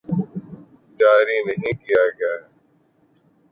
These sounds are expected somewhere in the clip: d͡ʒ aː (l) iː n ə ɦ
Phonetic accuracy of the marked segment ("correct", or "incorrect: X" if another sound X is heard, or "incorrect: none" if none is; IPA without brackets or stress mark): incorrect: ɾ